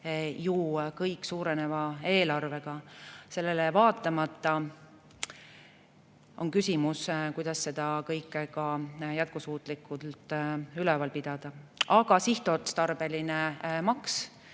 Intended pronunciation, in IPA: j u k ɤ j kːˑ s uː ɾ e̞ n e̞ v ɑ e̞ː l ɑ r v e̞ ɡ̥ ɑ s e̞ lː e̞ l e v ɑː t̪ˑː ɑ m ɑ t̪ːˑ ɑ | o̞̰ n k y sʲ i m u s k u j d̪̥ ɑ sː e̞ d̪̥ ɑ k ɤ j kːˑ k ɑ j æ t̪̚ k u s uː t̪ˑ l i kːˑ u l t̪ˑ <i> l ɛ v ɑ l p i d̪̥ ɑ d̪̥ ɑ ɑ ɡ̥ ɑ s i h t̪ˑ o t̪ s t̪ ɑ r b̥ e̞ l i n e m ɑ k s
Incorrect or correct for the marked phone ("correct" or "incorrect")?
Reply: incorrect